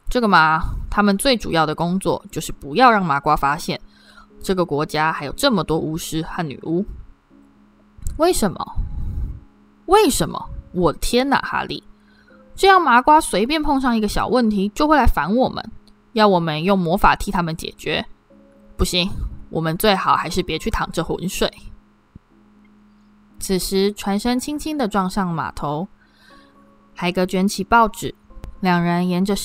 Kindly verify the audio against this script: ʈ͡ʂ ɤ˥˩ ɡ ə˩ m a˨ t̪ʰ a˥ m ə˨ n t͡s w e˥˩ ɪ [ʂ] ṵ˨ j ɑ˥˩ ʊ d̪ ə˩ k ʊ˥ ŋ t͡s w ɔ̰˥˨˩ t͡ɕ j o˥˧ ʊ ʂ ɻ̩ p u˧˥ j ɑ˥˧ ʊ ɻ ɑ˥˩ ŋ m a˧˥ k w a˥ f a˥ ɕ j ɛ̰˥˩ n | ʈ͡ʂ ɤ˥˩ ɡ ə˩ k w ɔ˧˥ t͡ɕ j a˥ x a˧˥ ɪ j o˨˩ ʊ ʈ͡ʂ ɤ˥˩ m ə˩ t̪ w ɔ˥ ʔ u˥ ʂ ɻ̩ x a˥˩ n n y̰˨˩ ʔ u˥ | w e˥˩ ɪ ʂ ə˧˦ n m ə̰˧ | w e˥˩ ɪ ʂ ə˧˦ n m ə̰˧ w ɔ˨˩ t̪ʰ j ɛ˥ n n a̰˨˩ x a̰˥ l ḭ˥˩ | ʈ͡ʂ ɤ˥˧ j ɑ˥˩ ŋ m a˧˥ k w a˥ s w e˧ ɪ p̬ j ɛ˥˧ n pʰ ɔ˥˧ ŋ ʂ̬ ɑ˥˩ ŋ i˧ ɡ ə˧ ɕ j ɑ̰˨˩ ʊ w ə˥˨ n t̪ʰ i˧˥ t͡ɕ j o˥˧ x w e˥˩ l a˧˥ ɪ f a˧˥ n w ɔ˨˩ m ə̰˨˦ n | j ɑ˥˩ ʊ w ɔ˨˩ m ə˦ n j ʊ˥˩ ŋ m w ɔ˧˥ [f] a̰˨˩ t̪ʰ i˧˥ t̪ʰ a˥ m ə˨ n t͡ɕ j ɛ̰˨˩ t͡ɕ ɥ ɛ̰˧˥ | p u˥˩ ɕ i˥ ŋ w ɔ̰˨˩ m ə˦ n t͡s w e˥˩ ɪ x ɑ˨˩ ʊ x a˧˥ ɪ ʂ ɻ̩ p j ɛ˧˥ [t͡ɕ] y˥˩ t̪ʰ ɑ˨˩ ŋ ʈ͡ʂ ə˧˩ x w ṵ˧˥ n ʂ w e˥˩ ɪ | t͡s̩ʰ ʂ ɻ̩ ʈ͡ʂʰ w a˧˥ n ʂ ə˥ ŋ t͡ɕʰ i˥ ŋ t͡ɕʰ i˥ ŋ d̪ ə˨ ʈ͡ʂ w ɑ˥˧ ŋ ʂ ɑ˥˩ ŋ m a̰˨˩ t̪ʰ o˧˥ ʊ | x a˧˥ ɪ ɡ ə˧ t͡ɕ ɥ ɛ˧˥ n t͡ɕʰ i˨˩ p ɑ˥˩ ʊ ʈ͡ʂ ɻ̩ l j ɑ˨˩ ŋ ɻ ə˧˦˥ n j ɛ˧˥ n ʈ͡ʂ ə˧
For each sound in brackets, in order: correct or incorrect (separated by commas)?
incorrect, correct, incorrect